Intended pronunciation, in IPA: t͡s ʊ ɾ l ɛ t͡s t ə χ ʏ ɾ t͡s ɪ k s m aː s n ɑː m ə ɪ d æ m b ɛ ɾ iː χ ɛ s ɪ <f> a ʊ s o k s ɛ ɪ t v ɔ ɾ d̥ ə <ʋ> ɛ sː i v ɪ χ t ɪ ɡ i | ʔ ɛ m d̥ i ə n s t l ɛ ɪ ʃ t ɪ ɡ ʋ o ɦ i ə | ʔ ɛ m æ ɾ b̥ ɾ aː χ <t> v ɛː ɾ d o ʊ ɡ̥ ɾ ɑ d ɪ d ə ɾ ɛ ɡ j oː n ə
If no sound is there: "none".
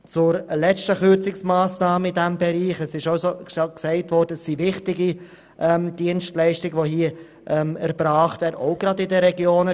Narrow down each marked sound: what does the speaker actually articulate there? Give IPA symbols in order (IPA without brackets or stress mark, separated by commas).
ʃ, none, t